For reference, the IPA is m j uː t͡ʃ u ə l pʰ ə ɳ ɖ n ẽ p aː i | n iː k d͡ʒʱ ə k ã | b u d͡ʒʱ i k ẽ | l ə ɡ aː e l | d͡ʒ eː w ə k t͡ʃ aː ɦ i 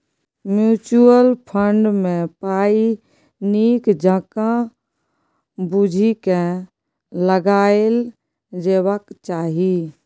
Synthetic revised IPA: m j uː t͡ʃ u ə l pʰ ə ɳ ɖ m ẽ p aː i | n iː k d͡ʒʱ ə k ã | b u d͡ʒʱ i k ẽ | l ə ɡ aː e l | d͡ʒ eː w ə k t͡ʃ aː ɦ i